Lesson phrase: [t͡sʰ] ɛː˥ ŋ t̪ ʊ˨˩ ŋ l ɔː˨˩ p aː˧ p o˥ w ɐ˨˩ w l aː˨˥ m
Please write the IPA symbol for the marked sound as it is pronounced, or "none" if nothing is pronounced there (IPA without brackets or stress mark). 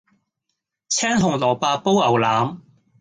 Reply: t͡sʰ